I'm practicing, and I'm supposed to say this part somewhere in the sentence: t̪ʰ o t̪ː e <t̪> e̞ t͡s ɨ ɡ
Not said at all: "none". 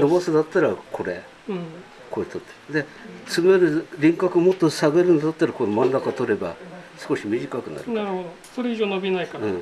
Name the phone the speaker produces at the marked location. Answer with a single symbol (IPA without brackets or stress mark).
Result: d̪